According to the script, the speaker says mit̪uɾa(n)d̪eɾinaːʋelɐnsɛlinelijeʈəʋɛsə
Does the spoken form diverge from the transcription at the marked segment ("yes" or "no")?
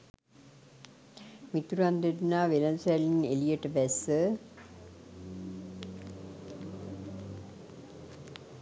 no